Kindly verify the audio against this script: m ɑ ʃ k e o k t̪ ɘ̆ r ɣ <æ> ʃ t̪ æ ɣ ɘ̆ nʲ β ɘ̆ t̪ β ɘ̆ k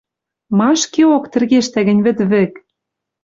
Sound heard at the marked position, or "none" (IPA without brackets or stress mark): e